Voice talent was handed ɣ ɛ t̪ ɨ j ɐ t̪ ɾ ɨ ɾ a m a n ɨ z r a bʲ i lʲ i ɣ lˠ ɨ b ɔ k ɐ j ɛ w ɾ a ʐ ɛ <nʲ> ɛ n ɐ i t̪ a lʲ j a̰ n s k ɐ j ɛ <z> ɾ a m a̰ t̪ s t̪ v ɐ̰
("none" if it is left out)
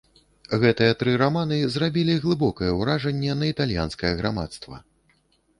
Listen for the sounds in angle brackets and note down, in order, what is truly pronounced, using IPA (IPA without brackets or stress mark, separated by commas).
nʲː, ɣ